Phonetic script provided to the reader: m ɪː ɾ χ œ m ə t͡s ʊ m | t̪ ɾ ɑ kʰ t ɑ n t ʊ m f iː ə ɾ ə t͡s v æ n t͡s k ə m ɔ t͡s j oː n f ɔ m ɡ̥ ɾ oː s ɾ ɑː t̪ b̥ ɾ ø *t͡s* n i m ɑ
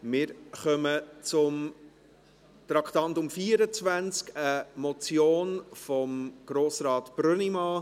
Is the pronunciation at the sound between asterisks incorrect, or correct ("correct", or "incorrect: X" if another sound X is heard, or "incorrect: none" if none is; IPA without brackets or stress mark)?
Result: incorrect: none